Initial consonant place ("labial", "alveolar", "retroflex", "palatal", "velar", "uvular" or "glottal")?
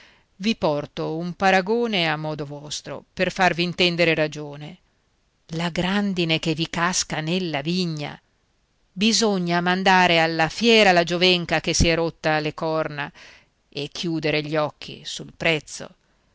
labial